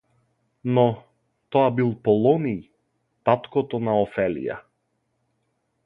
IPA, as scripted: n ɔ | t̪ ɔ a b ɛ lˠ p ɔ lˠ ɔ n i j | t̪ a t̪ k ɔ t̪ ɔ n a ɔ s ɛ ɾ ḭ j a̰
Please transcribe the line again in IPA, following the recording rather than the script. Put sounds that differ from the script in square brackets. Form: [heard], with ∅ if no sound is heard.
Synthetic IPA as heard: n ɔ | t̪ ɔ a b [i] lˠ p ɔ lˠ ɔ n i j | t̪ a t̪ k ɔ t̪ ɔ n a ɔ [f] ɛ [l] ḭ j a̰